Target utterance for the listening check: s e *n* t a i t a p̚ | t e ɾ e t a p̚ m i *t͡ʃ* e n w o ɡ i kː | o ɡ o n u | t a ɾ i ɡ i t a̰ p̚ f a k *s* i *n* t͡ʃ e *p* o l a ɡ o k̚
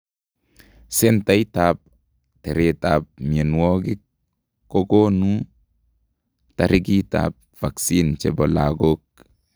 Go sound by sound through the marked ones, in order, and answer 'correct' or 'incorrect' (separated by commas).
correct, incorrect, correct, correct, incorrect